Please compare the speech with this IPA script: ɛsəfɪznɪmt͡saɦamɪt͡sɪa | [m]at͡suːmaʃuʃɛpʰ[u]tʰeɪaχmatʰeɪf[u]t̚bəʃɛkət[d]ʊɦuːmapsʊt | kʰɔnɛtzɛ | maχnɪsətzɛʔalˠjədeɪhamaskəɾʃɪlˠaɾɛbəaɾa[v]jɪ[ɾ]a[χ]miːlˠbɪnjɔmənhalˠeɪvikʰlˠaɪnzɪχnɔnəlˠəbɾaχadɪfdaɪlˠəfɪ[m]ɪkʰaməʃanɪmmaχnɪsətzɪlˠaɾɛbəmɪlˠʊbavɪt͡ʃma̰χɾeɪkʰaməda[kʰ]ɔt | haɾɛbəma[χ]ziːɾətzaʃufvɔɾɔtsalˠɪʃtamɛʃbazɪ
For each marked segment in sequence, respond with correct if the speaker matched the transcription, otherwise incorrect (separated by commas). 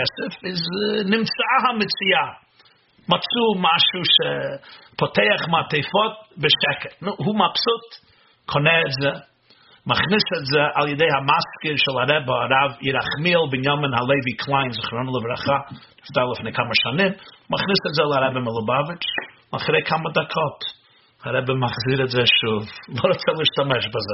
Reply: correct, incorrect, incorrect, incorrect, correct, correct, correct, incorrect, correct, correct